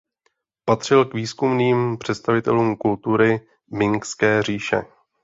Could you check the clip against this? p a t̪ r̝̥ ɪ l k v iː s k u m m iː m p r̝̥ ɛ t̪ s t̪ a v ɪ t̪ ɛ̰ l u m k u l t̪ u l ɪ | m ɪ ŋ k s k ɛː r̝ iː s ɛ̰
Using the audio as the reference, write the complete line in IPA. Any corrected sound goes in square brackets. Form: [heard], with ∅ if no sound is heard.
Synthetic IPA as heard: p a t̪ r̝̥ ɪ l k v iː s k u m [n] iː m p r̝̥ ɛ t̪ s t̪ a v ɪ t̪ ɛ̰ l [uː] m k u l t̪ u [ɾ] ɪ | m ɪ ŋ k s k ɛː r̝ iː [ʃ] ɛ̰